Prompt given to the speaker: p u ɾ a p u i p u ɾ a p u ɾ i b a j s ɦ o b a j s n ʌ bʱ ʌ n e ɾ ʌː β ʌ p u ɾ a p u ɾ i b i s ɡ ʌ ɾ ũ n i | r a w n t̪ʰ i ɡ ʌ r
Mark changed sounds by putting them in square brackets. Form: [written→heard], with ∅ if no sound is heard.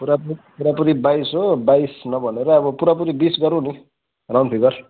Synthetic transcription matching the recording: p u ɾ a p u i p u ɾ a p u ɾ i b a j s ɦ o b a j s n ʌ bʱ ʌ n e ɾ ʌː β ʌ p u ɾ a p u ɾ i b i s ɡ ʌ ɾ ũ n i | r a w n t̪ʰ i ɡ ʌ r